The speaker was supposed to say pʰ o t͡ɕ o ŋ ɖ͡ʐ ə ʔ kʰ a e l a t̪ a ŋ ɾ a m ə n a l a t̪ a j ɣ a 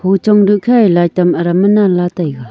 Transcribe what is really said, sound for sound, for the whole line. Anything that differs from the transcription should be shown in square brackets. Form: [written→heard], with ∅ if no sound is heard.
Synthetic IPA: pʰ o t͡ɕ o ŋ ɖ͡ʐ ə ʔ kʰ a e l a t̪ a [ŋ→m] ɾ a m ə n a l a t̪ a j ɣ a